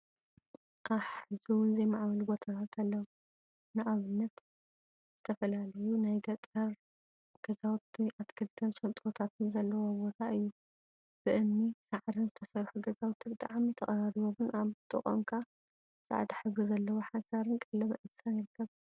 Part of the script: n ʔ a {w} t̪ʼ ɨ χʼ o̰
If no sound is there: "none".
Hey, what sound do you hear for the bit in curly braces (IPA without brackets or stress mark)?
β